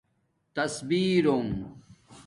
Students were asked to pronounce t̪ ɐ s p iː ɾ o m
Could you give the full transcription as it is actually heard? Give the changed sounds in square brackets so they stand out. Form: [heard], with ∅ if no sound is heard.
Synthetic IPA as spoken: t̪ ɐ s [b] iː ɾ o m